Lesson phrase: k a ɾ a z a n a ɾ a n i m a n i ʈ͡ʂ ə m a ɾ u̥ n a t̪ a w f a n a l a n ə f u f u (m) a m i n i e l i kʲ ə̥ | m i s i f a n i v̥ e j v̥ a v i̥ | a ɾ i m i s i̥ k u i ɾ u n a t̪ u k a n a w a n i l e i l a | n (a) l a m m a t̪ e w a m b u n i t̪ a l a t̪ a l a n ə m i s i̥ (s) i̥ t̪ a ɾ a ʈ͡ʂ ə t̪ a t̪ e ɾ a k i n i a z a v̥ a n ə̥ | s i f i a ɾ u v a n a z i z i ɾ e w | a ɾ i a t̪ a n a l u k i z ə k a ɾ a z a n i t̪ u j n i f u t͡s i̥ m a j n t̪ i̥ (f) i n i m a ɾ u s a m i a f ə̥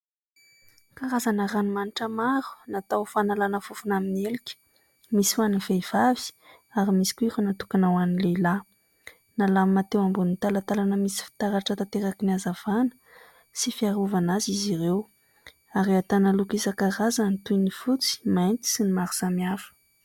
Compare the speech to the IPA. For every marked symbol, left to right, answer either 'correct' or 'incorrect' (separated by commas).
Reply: incorrect, correct, incorrect, incorrect